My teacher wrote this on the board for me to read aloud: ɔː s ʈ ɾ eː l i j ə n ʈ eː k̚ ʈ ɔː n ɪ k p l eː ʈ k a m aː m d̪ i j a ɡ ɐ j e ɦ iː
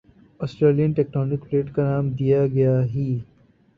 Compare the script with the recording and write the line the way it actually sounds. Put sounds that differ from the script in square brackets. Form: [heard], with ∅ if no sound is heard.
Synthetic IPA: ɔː s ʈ ɾ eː l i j ə n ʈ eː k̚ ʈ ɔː n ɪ k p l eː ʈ k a [n] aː m d̪ i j a ɡ ɐ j [a] ɦ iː